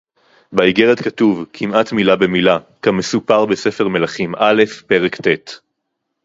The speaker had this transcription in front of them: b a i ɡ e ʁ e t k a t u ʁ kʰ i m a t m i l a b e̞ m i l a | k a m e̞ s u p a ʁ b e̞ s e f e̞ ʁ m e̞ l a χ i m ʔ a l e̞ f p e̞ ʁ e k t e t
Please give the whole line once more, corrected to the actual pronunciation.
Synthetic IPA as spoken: b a i ɡ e ʁ e t k a t u v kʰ i m a t m i l a b e̞ m i l a | k a m e̞ s u p a ʁ b e̞ s e f e̞ ʁ m e̞ l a χ i m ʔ a l e̞ f p e̞ ʁ e k t e t